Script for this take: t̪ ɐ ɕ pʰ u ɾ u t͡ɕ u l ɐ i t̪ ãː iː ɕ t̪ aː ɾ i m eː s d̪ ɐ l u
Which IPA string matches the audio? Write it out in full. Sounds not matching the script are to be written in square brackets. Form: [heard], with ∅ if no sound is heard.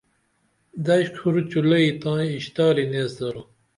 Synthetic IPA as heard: [d̪] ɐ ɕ [kʰ] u ɾ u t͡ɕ u l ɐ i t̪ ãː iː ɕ t̪ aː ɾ i [n] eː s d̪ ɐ [ɾ] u